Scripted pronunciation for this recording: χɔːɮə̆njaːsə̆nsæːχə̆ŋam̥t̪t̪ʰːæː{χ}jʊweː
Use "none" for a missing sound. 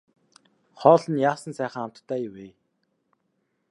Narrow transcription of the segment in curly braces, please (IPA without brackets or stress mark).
none